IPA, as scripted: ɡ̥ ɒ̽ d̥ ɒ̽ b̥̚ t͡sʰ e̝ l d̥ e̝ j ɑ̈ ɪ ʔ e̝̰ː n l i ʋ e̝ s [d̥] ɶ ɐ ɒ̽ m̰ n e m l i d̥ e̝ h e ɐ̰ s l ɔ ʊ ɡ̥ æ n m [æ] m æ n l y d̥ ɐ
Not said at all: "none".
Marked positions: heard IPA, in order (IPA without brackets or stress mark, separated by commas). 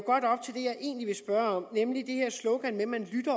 b̥, e